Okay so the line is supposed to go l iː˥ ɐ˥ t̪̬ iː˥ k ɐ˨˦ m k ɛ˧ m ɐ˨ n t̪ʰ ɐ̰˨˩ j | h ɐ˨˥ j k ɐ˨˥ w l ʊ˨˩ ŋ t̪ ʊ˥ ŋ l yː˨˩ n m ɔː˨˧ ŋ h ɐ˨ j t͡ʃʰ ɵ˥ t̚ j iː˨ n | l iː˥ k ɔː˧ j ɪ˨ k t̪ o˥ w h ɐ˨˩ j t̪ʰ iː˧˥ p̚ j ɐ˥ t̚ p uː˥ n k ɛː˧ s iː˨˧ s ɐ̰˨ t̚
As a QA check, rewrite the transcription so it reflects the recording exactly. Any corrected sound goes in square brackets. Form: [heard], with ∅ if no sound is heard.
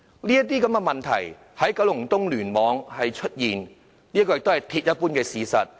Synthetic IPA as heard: l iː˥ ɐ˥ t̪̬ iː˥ k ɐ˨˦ m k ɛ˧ m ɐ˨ n t̪ʰ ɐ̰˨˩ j | h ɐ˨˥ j k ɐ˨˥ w l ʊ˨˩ ŋ t̪ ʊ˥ ŋ l yː˨˩ n m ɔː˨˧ ŋ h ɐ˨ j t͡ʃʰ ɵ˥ t̚ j iː˨ n | l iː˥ k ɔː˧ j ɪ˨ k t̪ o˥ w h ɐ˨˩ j t̪ʰ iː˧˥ [t̚] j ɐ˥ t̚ p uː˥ n k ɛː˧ s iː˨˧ s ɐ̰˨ t̚

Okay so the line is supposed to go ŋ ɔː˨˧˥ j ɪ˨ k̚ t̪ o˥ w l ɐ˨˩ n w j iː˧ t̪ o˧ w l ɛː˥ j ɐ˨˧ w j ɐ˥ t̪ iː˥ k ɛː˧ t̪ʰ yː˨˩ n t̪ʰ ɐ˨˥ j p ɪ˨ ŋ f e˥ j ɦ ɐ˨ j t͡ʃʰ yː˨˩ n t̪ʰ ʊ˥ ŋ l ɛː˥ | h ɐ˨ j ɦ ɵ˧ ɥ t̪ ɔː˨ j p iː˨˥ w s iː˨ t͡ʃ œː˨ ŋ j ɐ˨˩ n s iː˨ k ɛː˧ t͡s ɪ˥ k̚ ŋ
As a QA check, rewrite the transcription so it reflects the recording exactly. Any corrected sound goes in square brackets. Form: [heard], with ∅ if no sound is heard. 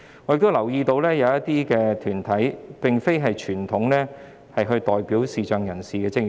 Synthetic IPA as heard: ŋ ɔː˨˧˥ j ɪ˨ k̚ t̪ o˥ w l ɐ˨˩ [∅] w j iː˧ t̪ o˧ w l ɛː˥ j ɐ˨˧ w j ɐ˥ t̪ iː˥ k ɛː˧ t̪ʰ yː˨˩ n t̪ʰ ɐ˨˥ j p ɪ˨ ŋ f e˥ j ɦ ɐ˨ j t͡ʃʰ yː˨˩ n t̪ʰ [ʊ˨˥] ŋ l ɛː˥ | h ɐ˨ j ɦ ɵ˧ ɥ t̪ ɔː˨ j p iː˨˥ w s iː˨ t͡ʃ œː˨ ŋ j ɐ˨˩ n s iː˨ k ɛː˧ t͡s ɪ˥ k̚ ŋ

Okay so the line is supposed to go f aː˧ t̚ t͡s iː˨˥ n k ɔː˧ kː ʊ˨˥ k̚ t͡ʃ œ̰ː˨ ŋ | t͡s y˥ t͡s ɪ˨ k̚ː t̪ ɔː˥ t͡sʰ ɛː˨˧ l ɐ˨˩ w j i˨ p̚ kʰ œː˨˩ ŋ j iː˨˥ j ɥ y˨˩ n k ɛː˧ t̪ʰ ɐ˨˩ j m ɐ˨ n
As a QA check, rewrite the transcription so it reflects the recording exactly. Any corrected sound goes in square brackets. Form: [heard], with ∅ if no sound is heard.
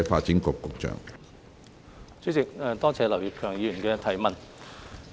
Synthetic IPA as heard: f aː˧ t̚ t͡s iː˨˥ n k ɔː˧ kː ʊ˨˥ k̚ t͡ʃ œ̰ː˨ ŋ | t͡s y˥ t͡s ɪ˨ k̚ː t̪ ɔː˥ t͡sʰ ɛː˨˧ l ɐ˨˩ w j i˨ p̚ kʰ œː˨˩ ŋ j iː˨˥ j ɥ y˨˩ n k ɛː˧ t̪ʰ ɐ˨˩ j m ɐ˨ n

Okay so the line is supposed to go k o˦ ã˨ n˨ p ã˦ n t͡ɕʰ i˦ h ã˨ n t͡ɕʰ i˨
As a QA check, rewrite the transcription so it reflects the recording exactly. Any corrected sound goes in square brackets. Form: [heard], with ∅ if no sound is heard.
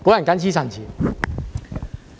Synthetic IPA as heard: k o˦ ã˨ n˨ [k] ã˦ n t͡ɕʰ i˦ [s] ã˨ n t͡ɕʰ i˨

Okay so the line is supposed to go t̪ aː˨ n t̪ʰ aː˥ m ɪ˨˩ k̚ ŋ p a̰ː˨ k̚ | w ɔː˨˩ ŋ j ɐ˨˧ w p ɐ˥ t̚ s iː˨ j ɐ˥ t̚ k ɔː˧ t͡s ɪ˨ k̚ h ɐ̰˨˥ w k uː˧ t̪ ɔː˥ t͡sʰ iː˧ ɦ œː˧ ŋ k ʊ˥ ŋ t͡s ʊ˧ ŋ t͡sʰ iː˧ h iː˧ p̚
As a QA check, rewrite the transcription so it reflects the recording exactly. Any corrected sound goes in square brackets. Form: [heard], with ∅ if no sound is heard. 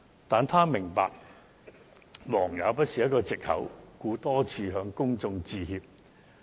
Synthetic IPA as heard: t̪ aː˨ n t̪ʰ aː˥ m ɪ˨˩ [∅] ŋ p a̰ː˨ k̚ | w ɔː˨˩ ŋ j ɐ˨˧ w p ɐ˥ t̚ s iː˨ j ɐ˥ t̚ k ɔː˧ t͡s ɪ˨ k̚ h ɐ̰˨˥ w k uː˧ t̪ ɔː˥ t͡sʰ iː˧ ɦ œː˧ ŋ k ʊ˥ ŋ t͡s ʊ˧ ŋ [t͡s] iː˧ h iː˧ p̚

